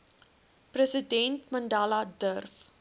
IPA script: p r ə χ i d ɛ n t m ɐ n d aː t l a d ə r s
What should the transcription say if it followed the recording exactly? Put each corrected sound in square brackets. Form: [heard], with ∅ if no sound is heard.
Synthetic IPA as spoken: p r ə [s] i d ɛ n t m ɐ n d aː [∅] l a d ə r [f]